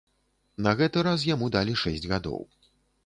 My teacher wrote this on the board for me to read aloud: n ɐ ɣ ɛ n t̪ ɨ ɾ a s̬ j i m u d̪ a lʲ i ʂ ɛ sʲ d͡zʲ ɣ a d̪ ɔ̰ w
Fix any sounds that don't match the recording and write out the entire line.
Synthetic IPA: n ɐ ɣ ɛ t̪ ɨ ɾ a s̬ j a m u d̪ a lʲ i ʂ ɛ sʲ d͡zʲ ɣ a d̪ ɔ̰ w